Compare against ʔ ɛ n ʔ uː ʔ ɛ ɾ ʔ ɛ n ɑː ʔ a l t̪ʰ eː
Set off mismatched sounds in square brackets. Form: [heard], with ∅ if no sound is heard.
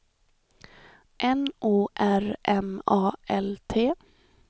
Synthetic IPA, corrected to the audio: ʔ ɛ n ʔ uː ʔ [æ] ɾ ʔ ɛ [m] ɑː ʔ [ɛ] l t̪ʰ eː